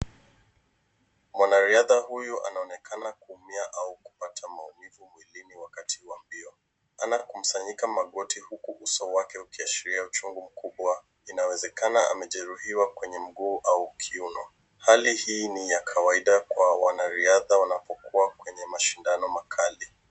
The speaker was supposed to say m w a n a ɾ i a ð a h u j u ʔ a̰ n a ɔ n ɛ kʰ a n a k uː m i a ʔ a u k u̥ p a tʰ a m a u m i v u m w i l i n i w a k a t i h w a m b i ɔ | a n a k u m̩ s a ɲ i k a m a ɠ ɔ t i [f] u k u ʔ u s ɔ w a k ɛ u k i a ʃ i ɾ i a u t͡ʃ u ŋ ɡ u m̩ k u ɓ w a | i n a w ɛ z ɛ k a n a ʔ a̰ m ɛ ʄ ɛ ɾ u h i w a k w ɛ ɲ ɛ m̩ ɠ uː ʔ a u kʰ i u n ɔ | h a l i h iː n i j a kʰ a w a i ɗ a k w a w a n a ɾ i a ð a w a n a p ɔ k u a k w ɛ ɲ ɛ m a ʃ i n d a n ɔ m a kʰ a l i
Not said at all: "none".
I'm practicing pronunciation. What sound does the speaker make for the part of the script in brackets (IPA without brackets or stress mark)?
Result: h